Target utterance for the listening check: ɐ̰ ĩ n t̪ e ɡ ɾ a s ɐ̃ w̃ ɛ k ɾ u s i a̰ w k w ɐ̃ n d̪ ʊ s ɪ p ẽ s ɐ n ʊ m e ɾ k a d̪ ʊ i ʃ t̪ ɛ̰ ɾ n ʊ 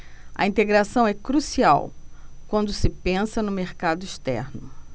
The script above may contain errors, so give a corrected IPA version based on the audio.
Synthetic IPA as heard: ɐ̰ ĩ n t̪ e ɡ ɾ a s ɐ̃ w̃ ɛ k ɾ u s i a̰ w k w ɐ̃ n d̪ ʊ s ɪ p ẽ s ɐ n ʊ m e ɾ k a d̪ ʊ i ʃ t̪ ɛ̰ ɾ n ʊ